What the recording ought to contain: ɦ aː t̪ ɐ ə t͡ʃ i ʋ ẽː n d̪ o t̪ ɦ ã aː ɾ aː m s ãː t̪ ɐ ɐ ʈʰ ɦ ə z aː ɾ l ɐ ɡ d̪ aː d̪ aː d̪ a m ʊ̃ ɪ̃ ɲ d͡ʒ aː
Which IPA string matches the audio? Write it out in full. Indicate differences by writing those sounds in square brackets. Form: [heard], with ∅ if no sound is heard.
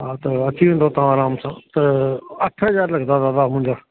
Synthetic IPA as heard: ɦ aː t̪ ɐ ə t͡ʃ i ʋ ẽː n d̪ o t̪ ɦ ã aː ɾ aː m s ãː t̪ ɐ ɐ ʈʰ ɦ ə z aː ɾ l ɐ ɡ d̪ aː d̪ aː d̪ a m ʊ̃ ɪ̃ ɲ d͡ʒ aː